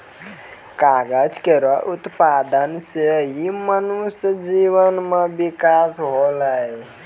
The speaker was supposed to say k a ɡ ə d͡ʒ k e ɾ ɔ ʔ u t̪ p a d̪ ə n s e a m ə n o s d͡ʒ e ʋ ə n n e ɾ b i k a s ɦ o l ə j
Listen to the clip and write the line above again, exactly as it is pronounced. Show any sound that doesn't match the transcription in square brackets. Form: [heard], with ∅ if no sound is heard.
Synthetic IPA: k a ɡ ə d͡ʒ k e ɾ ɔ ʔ u t̪ p a d̪ ə n s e [i] m ə n [u] s d͡ʒ [i] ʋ ə n [m] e [∅] b i k a s ɦ o l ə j